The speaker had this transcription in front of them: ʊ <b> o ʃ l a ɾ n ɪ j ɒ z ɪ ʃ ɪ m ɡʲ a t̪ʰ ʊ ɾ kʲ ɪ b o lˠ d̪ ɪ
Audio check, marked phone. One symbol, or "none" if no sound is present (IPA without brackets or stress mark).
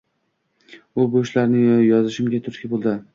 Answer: b